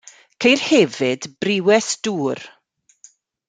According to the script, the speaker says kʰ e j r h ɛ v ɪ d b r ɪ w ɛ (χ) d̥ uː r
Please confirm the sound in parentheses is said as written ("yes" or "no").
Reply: no